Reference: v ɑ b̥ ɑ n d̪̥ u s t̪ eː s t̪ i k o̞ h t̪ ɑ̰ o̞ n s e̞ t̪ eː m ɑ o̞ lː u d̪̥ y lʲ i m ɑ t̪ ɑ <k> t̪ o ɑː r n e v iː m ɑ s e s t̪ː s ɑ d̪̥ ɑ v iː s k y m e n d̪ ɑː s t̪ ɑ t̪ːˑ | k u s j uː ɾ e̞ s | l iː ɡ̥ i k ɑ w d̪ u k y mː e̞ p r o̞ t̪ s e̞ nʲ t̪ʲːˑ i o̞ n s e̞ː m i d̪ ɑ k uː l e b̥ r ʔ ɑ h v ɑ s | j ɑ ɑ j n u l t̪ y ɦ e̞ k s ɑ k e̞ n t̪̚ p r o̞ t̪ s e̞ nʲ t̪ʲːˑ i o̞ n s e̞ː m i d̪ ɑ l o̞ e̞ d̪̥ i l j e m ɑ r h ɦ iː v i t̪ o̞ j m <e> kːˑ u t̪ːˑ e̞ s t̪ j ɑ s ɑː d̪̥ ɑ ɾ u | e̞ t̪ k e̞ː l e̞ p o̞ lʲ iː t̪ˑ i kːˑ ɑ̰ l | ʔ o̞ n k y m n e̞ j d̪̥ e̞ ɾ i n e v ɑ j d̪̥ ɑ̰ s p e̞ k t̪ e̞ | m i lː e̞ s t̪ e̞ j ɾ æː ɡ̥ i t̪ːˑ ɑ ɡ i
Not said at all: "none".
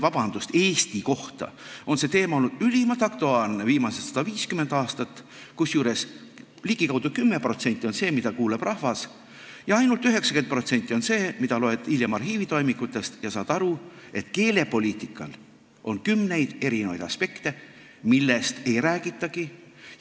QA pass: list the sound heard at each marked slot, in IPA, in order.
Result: k, i

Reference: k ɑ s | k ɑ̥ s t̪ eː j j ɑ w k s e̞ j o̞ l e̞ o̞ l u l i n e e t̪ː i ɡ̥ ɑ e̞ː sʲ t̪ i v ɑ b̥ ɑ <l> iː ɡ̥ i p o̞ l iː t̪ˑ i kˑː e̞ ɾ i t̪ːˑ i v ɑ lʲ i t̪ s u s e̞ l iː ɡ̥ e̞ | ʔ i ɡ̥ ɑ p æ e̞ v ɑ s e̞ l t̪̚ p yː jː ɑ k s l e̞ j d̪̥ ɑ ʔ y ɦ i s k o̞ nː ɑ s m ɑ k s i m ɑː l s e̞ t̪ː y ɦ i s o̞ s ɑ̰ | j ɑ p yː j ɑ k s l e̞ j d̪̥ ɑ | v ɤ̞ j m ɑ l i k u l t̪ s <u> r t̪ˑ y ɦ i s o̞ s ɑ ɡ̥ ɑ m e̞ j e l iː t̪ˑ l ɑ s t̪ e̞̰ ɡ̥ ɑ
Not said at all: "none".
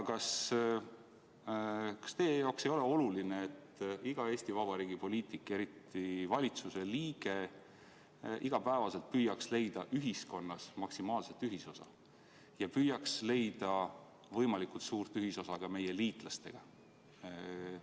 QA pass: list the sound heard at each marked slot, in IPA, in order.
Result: ɾ, uː

